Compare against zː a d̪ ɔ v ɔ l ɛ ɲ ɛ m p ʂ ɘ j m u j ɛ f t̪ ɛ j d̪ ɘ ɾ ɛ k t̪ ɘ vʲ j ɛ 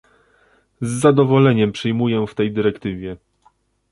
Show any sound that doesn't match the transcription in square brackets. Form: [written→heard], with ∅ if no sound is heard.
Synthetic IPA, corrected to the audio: zː a d̪ ɔ v ɔ l ɛ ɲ ɛ m p ʂ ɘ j m u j ɛ f t̪ ɛ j d̪ ɘ ɾ ɛ k t̪ ɘ vʲ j ɛ